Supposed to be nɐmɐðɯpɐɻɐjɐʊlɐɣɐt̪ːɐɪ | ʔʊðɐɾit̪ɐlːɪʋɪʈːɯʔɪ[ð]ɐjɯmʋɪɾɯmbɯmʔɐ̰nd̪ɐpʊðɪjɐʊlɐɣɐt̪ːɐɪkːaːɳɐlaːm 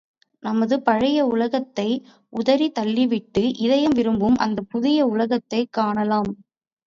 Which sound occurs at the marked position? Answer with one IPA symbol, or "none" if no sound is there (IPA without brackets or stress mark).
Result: ð